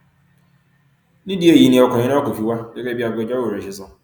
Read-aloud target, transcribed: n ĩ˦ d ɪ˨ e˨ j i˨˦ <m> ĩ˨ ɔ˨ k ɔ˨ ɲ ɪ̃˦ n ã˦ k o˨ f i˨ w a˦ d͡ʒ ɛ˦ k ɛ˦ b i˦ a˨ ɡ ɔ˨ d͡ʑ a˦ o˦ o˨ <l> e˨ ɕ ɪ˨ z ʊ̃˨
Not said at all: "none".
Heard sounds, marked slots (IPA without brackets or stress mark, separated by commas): n, ɾ